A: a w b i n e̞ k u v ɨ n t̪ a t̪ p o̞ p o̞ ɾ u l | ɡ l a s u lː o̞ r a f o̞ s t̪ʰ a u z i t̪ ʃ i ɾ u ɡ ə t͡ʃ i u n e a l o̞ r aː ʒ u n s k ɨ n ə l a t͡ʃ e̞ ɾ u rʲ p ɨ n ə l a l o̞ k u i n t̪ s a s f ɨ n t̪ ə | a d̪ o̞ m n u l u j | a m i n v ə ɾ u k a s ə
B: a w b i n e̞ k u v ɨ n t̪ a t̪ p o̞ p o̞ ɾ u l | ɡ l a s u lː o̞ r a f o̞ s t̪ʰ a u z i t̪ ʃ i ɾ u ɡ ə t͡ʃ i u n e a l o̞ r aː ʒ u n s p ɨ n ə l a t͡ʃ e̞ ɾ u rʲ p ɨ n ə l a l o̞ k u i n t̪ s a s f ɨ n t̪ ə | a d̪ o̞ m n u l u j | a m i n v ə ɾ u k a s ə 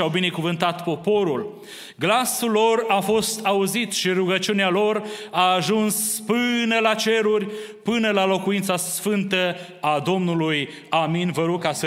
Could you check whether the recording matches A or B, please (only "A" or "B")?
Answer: B